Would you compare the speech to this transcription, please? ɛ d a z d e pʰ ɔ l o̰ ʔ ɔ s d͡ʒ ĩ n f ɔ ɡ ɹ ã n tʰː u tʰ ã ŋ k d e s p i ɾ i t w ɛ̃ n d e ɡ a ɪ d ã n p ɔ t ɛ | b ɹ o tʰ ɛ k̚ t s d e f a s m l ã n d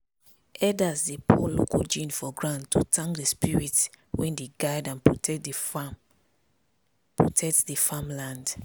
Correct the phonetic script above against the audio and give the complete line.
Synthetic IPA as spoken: ɛ d a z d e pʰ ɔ l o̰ k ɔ d͡ʒ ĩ n f ɔ ɡ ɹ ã n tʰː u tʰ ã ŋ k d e s p i ɹ i t w ɛ̃ n d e ɡ a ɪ d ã n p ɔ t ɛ | p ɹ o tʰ ɛ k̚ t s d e f a m l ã n d